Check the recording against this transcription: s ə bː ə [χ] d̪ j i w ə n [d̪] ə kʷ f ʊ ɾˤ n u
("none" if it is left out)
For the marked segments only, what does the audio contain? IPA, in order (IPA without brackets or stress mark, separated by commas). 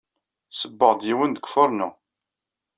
ʁ, d̪